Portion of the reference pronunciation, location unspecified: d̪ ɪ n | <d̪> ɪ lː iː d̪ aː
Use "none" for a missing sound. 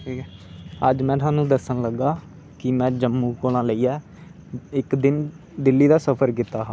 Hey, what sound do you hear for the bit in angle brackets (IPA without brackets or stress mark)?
d̪